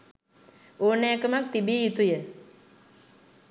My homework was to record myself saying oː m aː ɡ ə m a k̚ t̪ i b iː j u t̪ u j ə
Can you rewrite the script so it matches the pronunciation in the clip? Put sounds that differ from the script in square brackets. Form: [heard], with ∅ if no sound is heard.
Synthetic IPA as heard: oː [n] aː [k] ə m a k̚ t̪ i b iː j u t̪ u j ə